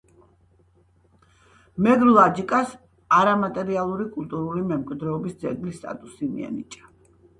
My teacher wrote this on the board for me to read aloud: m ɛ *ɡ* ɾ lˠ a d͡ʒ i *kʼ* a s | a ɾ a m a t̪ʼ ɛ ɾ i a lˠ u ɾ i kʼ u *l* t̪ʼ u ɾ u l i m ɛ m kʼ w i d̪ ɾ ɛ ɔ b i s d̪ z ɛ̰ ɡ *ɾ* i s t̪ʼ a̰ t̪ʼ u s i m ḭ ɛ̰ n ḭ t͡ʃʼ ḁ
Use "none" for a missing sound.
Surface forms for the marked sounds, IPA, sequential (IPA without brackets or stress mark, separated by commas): ɡ, kʼ, l, l